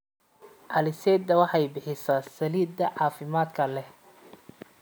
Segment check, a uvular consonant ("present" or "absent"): absent